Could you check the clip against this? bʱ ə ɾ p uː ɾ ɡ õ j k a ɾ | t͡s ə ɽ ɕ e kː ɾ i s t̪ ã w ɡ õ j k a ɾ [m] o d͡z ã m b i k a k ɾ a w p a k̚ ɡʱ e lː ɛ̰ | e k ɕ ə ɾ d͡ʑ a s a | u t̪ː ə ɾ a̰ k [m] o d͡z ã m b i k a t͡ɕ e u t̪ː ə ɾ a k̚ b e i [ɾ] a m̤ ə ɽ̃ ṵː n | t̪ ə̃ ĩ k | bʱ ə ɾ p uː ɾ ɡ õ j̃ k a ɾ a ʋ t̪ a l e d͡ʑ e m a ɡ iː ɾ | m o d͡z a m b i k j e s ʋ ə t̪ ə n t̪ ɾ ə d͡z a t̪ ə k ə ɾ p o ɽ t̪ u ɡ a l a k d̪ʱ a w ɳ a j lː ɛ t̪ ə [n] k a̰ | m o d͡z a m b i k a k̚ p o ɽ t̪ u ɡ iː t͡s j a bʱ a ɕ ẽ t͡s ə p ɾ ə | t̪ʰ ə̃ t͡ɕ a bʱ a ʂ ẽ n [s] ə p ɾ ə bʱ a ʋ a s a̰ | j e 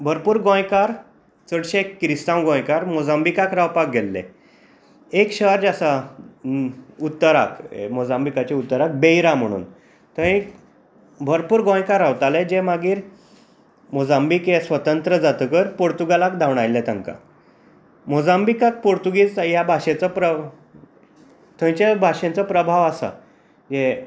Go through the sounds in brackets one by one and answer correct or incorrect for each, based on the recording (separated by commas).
correct, correct, correct, incorrect, incorrect